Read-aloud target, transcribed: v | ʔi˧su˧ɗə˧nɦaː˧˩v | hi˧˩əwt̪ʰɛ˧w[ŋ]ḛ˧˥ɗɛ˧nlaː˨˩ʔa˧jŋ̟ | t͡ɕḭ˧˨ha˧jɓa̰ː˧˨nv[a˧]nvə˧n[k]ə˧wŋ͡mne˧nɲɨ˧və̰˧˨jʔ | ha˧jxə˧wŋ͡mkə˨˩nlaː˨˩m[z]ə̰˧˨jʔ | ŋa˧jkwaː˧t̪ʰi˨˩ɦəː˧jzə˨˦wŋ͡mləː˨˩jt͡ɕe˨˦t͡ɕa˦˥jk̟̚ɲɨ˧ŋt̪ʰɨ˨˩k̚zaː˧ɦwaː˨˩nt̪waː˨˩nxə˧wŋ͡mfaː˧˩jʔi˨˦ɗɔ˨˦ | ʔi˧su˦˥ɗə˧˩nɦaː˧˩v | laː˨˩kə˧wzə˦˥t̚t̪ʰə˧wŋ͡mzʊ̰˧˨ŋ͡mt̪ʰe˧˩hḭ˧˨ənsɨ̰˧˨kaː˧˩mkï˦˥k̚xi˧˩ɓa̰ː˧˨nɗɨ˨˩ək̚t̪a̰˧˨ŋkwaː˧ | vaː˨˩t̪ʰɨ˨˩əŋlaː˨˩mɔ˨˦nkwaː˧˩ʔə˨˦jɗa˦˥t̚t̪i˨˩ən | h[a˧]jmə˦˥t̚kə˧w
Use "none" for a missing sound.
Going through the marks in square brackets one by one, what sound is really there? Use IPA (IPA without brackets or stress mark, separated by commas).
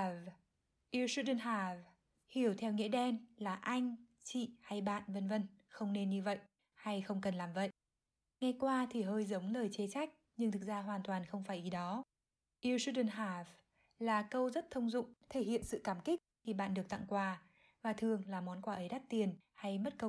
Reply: ŋ, ə˧, x, v, a˧